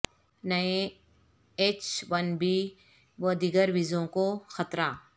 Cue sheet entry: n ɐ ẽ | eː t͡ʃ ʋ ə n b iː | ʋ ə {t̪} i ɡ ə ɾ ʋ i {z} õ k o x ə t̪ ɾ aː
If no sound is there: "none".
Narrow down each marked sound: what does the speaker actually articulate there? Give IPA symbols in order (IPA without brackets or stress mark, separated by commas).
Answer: d̪, z